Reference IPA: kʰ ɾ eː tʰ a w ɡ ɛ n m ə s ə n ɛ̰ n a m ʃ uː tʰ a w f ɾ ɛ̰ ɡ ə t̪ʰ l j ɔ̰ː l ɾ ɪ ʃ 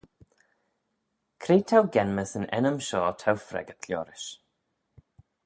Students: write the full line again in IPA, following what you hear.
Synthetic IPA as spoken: kʰ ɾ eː tʰ a w ɡ ɛ n m ə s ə n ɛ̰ n ə m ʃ ɔː tʰ a w f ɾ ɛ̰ ɡ ə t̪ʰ l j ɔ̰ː ɾ ɪ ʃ